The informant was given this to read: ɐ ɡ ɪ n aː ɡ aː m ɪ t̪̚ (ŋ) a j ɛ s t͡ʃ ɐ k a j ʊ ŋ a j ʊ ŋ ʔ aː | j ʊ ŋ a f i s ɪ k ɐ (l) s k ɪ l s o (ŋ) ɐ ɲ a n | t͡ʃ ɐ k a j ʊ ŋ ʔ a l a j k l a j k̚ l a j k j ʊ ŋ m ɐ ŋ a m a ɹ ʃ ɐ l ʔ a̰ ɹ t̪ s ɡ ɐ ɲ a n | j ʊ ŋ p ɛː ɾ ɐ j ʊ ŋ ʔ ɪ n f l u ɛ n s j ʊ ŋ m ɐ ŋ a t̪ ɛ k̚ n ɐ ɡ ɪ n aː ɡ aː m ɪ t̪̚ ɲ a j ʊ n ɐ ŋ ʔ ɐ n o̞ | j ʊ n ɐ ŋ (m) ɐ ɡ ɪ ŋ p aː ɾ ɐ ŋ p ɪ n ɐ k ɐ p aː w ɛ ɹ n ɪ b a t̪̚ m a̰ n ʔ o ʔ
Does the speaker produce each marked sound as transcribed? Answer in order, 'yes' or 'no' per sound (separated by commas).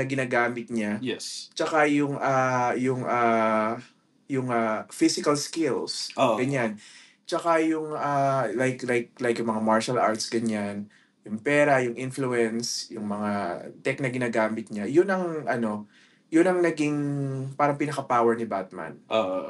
no, yes, no, no